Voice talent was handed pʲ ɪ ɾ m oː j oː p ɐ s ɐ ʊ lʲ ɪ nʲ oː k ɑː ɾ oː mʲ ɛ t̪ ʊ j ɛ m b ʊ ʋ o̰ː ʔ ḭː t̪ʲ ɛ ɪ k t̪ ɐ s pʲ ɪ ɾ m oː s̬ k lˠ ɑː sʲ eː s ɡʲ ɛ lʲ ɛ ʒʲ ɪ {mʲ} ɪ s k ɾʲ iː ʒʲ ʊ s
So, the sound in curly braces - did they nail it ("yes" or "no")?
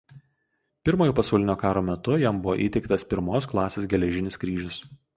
no